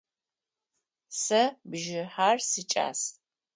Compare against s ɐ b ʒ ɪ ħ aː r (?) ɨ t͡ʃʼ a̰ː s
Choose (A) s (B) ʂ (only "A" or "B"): A